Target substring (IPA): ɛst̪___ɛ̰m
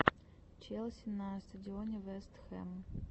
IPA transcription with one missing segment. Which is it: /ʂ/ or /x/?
x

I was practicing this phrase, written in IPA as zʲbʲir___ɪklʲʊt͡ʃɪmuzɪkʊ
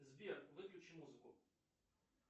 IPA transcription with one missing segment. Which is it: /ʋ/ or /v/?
ʋ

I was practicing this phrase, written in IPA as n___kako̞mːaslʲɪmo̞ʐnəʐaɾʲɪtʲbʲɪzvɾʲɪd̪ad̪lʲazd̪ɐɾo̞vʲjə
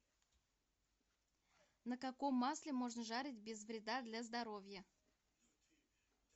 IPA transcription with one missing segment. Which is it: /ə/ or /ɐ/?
ə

